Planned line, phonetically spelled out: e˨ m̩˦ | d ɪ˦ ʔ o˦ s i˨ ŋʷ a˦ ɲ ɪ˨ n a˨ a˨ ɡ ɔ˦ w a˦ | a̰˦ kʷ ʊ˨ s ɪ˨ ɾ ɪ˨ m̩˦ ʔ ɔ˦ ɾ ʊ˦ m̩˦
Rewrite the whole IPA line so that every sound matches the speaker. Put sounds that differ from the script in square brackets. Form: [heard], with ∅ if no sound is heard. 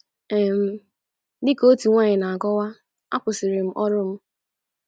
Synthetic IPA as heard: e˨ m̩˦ | d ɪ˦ [k] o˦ [t] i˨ ŋʷ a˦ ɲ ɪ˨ n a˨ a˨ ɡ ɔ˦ w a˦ | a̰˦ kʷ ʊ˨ s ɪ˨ ɾ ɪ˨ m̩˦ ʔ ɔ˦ ɾ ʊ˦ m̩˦